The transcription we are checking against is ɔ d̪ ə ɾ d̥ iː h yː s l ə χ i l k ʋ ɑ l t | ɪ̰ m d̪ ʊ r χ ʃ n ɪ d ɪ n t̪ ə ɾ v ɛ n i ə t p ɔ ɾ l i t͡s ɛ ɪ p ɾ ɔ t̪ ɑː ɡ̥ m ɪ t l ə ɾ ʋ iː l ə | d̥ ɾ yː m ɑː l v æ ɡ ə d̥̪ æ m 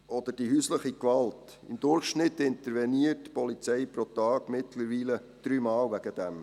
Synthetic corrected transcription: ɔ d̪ ə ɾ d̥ i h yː s l ə χ i k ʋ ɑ l t | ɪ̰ m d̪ ʊ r χ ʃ n ɪ t ɪ n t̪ ə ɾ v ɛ n i ə t p ɔ l i t͡s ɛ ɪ p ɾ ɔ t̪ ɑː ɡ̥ m ɪ t l ə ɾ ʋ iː l ə | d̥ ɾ yː m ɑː l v æ ɡ ə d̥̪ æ m

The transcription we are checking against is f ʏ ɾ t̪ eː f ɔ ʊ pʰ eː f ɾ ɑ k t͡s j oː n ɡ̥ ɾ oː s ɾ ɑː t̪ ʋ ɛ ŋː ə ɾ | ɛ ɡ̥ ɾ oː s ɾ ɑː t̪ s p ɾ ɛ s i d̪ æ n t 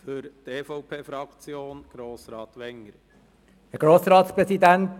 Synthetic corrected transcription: f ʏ ɾ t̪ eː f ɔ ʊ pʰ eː f ɾ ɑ k t͡s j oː n ɡ̥ ɾ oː s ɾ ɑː t̪ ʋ ɛ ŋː ə ɾ | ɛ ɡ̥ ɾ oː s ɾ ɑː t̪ s p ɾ ɛ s i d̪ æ n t

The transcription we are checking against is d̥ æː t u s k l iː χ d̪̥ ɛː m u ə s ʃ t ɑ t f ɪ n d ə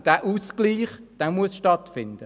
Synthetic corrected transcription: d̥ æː ʔ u s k l iː χ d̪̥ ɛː m u ə s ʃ t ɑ t f ɪ n d ə

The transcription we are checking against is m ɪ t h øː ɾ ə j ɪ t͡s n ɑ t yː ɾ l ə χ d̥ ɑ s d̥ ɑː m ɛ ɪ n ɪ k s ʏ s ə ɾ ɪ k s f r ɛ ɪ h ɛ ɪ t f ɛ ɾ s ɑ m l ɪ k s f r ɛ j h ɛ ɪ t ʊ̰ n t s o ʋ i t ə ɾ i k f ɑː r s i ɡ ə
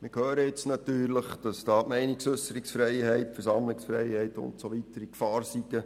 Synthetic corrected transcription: m ɪ k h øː ɾ ə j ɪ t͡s n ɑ t yː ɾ l ə χ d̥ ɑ s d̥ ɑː m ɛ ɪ n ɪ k s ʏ s ə ɾ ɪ k s f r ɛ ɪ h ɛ ɪ t f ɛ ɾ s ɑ m l ɪ k s f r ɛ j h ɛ ɪ t ʊ̰ n t s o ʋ i t ə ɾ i k f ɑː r s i ɡ ə

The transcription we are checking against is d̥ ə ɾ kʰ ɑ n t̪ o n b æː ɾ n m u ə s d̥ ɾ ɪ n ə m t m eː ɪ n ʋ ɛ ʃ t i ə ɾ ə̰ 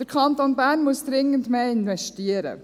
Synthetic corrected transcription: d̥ ə ɾ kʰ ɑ n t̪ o n b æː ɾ n m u ə s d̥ ɾ ɪ ŋ ə n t m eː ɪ n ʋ ɛ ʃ t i ə ɾ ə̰

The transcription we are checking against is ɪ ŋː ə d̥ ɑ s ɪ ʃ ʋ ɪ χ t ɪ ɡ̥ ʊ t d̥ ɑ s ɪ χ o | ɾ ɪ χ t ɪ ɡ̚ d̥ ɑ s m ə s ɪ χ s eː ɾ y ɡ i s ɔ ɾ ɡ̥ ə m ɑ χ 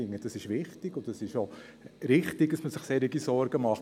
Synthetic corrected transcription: ɪ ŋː ə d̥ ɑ s ɪ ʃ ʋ ɪ χ t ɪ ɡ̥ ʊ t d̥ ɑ s ɪ ʃ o | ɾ ɪ χ t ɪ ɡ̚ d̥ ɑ s m ə s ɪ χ s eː ɾ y ɡ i s ɔ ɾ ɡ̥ ə m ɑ χ

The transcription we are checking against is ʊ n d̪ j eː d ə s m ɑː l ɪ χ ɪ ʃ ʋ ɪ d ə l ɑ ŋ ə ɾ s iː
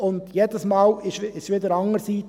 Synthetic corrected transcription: ʊ n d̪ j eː d ə s m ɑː l ɪ ʃ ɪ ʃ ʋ ɪ d ə ɾ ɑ ŋ ə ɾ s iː

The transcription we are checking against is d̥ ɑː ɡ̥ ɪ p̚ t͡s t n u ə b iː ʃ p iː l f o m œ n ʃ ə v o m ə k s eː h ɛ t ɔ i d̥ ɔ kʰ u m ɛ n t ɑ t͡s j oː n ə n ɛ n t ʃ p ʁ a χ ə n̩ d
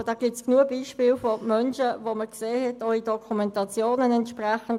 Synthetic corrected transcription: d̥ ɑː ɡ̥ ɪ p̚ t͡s k n u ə b iː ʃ p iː l f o m œ n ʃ ə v o m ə k s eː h ɛ t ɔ i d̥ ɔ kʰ u m ɛ n t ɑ t͡s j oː n ə n ɛ n t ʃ p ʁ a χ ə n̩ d

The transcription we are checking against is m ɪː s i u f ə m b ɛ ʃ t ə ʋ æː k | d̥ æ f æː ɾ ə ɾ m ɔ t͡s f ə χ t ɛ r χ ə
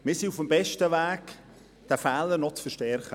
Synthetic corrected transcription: m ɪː s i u f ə m b ɛ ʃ t ə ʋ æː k | d̥ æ f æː l ə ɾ n ɔ t͡s f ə ʃ t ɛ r χ ə

